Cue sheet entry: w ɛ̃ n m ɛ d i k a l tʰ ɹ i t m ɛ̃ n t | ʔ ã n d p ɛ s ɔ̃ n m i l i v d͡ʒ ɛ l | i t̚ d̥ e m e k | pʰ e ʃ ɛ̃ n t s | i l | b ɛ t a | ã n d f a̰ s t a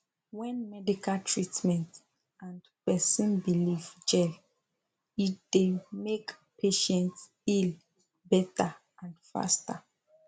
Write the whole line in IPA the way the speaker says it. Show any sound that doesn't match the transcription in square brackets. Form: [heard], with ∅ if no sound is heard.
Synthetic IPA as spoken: w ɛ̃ n m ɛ d i k a l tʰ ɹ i t m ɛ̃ n t | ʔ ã n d p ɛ s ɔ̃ n [b] i l i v d͡ʒ ɛ l | i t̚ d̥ e m e k | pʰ e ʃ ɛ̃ n t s | i l | b ɛ t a | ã n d f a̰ s t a